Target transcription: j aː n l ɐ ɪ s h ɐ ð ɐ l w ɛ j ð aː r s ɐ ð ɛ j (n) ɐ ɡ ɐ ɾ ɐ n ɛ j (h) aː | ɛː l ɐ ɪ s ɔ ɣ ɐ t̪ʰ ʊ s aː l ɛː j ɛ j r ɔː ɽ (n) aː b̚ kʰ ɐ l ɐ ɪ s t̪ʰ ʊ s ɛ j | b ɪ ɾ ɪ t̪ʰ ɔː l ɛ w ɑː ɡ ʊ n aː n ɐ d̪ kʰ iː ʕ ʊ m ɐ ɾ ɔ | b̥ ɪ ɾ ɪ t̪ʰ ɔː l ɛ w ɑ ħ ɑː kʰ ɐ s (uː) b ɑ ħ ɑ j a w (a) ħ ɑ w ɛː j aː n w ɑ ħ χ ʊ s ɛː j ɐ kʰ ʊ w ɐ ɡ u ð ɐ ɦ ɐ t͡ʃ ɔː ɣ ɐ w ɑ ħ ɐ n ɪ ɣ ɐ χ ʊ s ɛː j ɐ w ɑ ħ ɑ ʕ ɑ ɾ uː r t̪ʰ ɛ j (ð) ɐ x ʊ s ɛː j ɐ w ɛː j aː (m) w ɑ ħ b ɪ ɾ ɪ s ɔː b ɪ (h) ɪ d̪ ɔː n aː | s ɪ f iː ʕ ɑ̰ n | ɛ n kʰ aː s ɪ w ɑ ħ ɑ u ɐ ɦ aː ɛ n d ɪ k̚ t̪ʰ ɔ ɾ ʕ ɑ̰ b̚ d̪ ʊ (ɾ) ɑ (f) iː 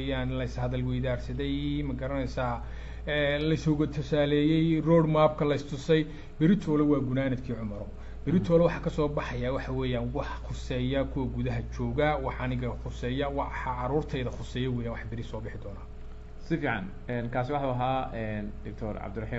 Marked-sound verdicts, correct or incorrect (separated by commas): incorrect, incorrect, incorrect, incorrect, incorrect, correct, incorrect, incorrect, incorrect, incorrect